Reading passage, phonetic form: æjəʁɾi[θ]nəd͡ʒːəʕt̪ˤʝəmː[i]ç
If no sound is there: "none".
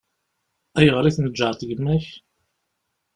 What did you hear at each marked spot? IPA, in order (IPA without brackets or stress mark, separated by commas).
θ, æ